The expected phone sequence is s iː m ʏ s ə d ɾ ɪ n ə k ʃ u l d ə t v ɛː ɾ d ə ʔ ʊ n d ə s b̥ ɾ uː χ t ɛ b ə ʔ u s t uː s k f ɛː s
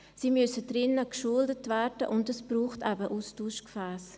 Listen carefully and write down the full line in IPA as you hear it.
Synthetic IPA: s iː m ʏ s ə d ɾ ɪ n ə k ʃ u l d ə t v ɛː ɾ d ə ʔ ʊ n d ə s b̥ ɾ uː χ t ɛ b ə ʔ u s t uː ʃ k f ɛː s